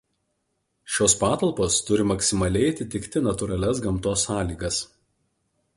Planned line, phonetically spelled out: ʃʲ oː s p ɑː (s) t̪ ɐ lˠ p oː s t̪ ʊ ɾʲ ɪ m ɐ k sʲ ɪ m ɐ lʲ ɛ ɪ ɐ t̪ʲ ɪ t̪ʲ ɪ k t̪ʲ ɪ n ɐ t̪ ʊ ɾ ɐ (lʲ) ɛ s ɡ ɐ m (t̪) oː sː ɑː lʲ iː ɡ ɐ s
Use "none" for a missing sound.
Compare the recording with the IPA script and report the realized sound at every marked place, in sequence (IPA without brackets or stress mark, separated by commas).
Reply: none, lʲ, t̪